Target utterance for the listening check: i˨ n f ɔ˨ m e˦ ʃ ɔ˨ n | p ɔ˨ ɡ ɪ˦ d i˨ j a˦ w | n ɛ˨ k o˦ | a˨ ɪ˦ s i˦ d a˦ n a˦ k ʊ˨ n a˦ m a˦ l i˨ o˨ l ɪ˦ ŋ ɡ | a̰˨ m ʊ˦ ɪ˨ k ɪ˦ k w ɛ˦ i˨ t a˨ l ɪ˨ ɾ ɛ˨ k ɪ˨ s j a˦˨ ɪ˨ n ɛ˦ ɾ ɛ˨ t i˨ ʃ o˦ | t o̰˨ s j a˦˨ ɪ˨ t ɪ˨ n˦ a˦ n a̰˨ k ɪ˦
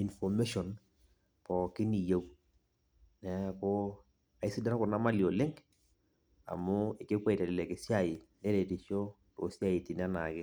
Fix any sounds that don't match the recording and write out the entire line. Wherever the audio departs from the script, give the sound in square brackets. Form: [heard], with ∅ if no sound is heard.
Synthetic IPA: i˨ n f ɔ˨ m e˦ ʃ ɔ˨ n | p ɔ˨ [k] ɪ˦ [n] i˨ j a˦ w | n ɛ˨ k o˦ | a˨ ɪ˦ s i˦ d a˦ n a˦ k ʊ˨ n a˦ m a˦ l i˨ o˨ l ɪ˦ ŋ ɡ | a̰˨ m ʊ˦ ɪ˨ k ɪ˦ k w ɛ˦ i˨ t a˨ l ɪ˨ [l] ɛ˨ k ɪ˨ s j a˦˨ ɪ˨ n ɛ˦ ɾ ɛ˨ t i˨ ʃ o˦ | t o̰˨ s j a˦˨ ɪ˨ t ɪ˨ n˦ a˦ n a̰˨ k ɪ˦

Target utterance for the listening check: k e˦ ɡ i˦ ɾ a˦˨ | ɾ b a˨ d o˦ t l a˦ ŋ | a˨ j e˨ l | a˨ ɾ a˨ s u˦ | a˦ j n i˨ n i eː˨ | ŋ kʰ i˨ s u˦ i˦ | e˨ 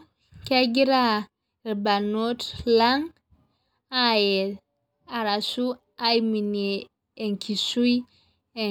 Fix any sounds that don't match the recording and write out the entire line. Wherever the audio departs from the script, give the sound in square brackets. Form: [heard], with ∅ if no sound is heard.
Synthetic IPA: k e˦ ɡ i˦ ɾ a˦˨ | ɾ b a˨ [n] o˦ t l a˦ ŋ | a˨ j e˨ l | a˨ ɾ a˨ s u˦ | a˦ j [m] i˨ n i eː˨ | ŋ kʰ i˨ s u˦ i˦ | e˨

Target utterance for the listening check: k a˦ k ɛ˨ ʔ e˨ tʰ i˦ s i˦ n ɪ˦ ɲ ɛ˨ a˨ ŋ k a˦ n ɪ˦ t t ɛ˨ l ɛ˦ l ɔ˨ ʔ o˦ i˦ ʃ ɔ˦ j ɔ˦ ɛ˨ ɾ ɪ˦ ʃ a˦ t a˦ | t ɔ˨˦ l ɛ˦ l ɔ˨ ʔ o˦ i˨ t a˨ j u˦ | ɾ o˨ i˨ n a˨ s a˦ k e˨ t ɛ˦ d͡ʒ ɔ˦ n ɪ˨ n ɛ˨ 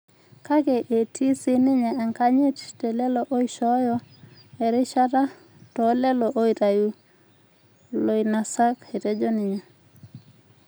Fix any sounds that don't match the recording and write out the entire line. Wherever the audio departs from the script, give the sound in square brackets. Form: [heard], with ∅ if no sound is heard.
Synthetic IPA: k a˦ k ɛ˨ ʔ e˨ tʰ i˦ s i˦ n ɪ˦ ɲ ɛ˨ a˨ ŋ k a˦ [ɲ] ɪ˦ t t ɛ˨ l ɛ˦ l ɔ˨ ʔ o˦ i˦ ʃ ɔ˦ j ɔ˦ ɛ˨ ɾ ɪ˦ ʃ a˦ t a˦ | t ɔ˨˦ l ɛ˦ l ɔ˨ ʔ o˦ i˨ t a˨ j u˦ | [l] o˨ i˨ n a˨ s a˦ k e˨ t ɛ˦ d͡ʒ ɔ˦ n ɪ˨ [ɲ] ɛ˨

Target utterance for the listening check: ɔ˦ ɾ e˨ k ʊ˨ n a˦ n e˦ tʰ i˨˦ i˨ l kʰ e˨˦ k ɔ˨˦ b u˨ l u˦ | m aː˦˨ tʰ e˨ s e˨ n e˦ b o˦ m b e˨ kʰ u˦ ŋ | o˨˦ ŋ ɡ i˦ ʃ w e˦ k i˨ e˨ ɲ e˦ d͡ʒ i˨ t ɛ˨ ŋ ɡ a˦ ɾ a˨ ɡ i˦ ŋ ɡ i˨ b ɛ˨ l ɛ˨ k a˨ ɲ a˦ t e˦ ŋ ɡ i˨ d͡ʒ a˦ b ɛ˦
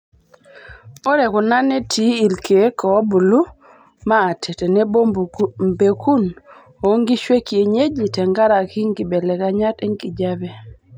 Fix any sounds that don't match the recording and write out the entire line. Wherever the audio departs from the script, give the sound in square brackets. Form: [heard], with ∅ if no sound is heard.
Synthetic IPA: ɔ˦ ɾ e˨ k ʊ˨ n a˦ n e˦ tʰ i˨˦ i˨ l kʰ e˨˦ k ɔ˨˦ b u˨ l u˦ | m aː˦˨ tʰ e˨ [t] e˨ n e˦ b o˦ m b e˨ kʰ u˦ [n] | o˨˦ ŋ ɡ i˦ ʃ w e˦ k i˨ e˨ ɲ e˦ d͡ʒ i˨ t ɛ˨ ŋ ɡ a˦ ɾ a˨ [k] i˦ ŋ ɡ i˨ b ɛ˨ l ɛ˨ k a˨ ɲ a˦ t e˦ ŋ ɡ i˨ d͡ʒ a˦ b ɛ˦

